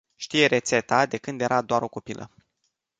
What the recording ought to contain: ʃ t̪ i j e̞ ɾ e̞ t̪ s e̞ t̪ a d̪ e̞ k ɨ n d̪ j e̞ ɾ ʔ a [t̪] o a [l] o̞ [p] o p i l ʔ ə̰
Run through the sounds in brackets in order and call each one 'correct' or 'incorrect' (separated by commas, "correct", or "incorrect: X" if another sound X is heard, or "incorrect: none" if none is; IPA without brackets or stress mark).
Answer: incorrect: d̪, incorrect: ɾ, incorrect: k